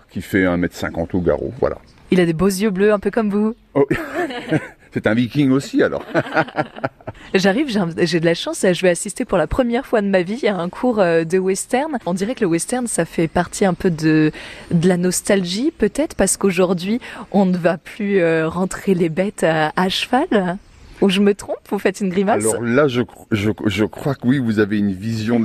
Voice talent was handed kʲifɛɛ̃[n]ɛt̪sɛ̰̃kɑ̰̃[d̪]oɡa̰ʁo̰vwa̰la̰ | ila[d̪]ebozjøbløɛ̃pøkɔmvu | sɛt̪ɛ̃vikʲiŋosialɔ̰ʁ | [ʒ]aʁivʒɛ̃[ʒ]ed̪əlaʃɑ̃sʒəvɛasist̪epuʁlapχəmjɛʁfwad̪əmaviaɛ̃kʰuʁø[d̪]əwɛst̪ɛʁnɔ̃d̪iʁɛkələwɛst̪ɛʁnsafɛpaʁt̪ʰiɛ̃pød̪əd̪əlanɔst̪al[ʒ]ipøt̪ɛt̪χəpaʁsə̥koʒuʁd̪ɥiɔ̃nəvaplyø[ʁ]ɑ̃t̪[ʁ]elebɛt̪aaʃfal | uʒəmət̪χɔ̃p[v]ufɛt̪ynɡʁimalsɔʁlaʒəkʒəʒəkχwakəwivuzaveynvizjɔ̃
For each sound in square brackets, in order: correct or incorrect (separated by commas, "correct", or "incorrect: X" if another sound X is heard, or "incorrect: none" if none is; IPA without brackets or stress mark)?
incorrect: m, incorrect: t̪, correct, correct, correct, correct, correct, correct, incorrect: χ, correct